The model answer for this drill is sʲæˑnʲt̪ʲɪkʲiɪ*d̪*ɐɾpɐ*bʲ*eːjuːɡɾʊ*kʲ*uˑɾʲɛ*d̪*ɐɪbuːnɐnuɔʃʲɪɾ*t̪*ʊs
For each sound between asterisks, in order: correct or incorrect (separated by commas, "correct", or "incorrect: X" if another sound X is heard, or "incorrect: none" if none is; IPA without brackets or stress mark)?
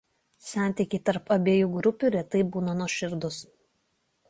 incorrect: t̪, correct, incorrect: pʲ, incorrect: t̪, incorrect: d̪